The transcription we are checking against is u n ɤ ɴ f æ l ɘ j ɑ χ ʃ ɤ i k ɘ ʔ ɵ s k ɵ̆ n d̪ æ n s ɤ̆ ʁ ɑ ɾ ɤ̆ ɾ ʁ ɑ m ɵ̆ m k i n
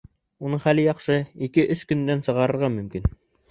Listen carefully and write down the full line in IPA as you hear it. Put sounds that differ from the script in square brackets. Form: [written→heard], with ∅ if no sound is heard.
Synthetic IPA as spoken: u n ɤ ɴ [f→χ] æ l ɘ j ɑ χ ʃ ɤ i k ɘ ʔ ɵ s k ɵ̆ n d̪ æ n s ɤ̆ ʁ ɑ ɾ ɤ̆ ɾ ʁ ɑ m ɵ̆ m k i n